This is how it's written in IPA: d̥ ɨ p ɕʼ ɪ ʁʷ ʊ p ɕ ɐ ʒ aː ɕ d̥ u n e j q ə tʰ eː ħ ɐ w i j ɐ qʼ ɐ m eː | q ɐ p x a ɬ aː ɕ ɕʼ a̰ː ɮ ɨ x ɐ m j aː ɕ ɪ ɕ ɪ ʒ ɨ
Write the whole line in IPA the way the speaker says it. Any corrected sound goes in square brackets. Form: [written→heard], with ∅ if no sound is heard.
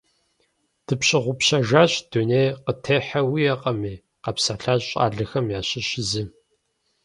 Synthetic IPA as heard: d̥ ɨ p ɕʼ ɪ ʁʷ ʊ p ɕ ɐ ʒ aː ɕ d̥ u n e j q ə tʰ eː ħ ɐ w i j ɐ qʼ ɐ m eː | q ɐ p [x→s] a ɬ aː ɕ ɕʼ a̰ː ɮ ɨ x ɐ m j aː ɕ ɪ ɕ ɪ [ʒ→z] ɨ